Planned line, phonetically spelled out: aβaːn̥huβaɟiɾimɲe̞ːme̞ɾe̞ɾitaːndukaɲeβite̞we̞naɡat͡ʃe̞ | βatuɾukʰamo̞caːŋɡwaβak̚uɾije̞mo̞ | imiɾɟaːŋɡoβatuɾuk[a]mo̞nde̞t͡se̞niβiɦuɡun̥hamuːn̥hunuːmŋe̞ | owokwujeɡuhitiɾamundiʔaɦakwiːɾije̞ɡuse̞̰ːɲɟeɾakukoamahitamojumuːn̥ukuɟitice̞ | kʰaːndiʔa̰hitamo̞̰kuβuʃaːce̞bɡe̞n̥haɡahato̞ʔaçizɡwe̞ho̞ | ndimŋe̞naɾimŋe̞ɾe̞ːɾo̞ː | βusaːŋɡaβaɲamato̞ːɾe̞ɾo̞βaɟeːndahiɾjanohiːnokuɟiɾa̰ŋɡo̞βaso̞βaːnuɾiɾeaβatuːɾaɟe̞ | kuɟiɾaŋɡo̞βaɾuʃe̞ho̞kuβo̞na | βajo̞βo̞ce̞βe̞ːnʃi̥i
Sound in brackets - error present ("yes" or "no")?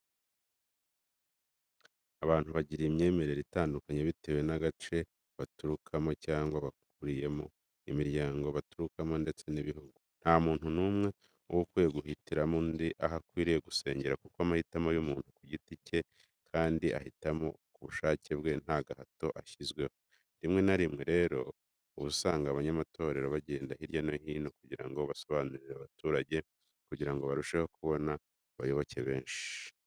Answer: no